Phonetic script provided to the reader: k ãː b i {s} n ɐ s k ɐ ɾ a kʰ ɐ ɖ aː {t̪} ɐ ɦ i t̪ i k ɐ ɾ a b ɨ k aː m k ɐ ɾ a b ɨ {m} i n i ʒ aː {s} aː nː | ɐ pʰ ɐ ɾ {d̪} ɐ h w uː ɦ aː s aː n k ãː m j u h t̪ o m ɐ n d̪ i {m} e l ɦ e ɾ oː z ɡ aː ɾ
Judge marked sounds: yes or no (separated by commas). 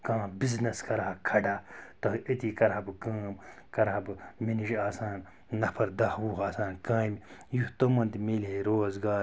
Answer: no, yes, yes, yes, yes, yes